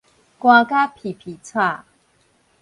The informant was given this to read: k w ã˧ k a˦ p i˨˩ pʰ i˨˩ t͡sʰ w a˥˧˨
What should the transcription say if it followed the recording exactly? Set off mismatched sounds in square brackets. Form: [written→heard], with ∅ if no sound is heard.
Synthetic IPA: k w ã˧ k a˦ [p→pʰ] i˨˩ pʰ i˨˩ t͡sʰ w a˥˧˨